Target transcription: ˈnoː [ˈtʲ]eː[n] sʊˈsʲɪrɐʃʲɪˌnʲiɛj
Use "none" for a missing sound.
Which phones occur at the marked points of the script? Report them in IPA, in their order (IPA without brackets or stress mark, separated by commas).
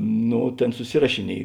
tʲ, n